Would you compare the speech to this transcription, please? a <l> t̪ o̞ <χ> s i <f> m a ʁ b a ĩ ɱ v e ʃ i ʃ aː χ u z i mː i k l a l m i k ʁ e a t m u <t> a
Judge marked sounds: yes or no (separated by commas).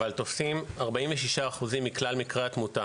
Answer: yes, no, no, yes